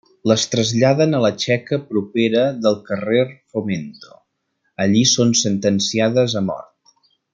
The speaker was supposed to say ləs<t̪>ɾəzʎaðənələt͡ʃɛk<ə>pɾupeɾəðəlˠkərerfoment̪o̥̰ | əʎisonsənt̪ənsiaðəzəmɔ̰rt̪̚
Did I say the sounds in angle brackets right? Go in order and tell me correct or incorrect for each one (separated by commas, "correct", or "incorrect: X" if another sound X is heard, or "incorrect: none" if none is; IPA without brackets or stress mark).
correct, correct